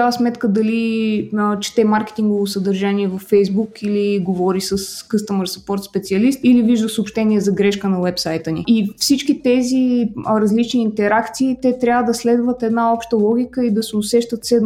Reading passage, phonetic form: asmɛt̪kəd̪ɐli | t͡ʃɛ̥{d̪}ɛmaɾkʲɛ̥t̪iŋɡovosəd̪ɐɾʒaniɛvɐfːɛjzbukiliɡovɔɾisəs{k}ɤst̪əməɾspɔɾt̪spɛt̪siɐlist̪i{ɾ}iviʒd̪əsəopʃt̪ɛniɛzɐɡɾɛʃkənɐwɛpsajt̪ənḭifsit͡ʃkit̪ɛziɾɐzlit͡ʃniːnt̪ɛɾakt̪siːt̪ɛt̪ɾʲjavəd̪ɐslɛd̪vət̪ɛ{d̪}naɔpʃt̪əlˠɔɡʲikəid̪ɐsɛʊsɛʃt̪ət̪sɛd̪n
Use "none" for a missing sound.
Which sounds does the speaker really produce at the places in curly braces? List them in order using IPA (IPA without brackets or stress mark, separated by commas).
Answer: t̪, k, l, d̪